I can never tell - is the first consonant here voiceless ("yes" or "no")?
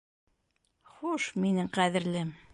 yes